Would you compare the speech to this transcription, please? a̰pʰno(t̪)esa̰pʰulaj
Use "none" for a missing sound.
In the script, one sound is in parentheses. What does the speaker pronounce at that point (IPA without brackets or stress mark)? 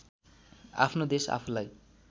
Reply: d̪